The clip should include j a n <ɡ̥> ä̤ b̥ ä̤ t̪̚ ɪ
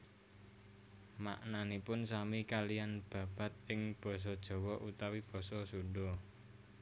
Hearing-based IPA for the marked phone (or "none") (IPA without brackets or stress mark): b̥